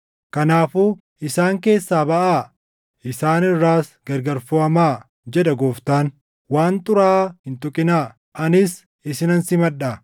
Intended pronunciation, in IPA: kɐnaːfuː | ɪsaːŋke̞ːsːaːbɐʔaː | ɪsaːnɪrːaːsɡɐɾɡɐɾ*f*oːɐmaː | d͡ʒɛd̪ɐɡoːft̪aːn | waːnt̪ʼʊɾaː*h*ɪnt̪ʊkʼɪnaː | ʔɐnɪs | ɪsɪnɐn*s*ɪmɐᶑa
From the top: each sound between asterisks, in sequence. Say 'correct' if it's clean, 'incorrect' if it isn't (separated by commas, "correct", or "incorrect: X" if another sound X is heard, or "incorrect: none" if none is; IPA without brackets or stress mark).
correct, correct, correct